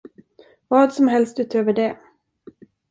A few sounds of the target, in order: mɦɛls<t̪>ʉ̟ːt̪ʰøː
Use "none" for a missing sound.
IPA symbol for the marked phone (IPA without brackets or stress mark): t̪